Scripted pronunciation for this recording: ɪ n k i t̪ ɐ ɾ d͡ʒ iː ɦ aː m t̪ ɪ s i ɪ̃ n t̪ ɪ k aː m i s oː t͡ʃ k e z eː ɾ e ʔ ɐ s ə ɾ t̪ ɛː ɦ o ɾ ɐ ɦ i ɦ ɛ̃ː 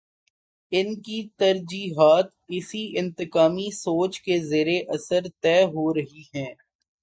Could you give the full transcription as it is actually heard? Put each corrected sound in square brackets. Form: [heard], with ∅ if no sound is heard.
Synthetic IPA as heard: ɪ n k i t̪ ɐ ɾ d͡ʒ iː ɦ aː [∅] t̪ ɪ s i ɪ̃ n t̪ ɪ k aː m i s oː t͡ʃ k e z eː ɾ e ʔ ɐ s ə ɾ t̪ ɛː ɦ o ɾ ɐ ɦ i ɦ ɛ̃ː